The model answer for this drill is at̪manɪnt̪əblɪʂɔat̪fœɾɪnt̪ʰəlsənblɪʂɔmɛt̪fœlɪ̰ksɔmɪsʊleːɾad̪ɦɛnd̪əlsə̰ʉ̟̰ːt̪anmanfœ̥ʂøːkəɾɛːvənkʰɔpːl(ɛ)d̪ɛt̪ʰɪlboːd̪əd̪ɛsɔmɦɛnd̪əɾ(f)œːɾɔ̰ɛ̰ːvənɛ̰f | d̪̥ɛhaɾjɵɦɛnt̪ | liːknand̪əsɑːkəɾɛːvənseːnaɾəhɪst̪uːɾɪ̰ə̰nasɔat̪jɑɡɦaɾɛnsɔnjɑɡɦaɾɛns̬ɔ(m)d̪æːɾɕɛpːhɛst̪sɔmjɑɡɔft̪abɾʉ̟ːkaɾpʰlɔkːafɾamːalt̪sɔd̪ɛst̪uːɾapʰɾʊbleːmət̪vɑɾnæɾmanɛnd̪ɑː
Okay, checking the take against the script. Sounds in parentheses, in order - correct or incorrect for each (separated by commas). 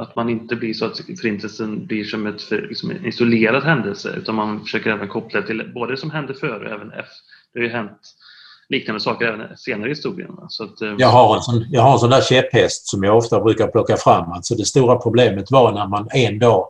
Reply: incorrect, correct, incorrect